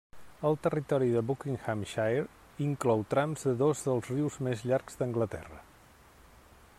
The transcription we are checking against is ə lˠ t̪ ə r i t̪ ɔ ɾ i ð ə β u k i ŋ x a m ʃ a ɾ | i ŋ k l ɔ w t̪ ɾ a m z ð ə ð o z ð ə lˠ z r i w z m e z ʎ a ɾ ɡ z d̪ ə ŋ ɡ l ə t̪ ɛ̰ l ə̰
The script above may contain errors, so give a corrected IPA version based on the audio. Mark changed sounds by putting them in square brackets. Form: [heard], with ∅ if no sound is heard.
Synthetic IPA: ə lˠ t̪ ə r i t̪ ɔ ɾ i ð ə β u k i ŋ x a m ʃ a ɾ | i ŋ k l ɔ w t̪ ɾ a m z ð ə ð o z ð ə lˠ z r i w z m e z ʎ a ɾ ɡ z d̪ ə ŋ ɡ l ə t̪ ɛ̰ [r] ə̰